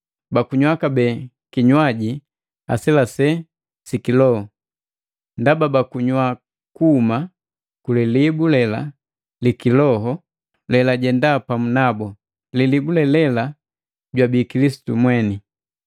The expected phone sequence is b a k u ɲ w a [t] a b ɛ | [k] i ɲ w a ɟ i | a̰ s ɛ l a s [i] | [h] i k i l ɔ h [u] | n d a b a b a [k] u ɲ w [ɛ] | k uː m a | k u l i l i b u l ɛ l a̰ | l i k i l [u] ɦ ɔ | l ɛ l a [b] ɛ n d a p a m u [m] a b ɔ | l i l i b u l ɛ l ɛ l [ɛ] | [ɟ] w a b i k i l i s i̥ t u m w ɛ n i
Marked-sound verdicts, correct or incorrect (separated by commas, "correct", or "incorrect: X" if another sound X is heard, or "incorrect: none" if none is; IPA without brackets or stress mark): incorrect: k, correct, incorrect: ɛ, incorrect: s, incorrect: ɔ, correct, incorrect: a, incorrect: ɔ, incorrect: ɟ, incorrect: n, incorrect: a, correct